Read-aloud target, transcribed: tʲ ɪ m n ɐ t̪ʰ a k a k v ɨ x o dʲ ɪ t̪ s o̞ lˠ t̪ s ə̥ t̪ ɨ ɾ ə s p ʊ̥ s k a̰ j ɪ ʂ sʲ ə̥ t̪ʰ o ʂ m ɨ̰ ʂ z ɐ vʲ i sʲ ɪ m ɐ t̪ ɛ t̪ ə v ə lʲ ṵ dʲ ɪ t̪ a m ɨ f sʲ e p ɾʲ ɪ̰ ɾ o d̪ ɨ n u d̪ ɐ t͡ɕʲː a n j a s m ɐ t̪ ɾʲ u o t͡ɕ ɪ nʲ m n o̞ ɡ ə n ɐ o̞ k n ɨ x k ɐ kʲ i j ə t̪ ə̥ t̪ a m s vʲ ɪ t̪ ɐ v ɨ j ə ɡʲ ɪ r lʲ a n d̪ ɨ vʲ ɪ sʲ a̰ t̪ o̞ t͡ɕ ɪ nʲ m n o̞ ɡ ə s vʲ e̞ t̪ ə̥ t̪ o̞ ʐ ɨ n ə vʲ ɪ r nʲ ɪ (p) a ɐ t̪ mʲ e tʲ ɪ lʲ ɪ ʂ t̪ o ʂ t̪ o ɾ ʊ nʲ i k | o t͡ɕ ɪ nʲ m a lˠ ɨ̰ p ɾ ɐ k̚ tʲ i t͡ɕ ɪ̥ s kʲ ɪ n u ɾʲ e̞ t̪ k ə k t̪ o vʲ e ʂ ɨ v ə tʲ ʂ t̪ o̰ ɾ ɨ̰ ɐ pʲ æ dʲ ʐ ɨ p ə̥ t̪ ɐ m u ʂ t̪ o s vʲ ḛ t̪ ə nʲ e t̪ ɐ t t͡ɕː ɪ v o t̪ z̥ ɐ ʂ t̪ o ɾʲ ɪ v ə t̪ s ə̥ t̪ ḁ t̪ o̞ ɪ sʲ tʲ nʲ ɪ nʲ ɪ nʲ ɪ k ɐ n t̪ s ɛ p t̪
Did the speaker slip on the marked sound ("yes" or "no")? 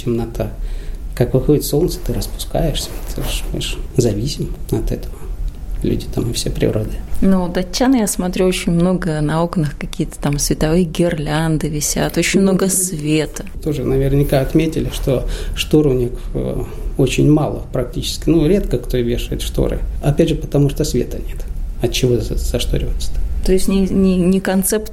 yes